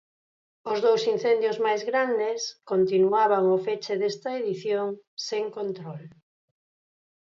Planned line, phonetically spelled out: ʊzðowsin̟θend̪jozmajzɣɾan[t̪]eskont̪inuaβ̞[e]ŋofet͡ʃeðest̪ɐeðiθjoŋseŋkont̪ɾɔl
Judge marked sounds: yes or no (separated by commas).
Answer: no, no